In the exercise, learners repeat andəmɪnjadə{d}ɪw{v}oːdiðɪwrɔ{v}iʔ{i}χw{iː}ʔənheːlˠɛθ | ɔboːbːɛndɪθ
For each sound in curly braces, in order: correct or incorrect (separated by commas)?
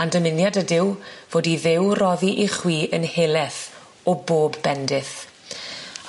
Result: correct, correct, incorrect, correct, correct